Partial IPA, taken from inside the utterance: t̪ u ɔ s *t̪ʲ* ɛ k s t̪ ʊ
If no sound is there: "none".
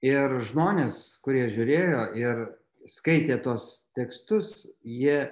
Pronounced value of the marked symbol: t̪ʲ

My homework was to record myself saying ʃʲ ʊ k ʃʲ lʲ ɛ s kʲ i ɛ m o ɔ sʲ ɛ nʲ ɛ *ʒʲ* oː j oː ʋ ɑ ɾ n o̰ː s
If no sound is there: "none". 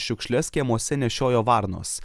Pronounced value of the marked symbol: ʃʲ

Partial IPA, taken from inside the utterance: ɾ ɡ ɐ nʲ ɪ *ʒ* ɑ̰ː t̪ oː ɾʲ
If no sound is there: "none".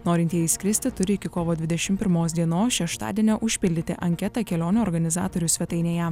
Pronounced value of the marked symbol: z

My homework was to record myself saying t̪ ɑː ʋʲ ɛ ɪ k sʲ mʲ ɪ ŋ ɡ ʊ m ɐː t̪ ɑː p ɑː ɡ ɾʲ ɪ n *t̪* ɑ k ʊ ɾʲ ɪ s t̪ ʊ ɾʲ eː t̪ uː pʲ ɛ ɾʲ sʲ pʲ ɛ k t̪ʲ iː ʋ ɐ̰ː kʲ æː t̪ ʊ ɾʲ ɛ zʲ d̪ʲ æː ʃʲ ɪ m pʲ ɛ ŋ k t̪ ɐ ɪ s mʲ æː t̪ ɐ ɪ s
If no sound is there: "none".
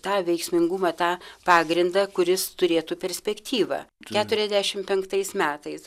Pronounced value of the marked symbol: d̪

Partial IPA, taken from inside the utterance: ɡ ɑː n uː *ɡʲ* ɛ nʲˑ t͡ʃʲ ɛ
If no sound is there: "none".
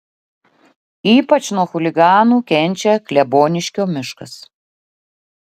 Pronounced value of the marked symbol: kʲ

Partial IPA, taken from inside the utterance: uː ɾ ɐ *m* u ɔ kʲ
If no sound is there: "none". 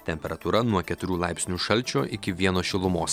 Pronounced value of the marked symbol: n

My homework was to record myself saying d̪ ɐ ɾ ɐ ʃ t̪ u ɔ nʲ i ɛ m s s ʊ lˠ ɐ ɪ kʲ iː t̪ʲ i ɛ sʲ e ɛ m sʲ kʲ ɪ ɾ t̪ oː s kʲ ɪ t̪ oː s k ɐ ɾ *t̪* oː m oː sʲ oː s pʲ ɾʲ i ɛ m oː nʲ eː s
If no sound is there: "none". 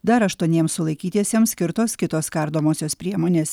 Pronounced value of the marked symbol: d̪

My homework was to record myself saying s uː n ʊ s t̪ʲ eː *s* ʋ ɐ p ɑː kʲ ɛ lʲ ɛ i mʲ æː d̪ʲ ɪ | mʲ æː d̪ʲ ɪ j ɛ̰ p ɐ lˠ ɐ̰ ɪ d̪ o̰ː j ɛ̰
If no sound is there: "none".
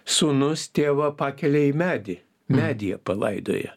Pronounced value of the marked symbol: none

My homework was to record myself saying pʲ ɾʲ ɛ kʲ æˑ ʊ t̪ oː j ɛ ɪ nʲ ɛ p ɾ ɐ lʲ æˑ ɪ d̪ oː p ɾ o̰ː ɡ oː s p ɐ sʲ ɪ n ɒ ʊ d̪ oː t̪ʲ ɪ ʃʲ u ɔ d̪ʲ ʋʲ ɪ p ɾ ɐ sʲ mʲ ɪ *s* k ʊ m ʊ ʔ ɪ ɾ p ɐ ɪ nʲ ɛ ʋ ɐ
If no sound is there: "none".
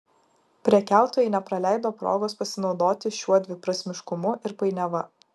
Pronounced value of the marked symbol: ʃ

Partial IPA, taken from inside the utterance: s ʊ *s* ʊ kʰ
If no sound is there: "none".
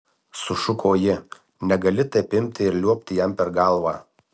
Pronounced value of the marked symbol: ʃ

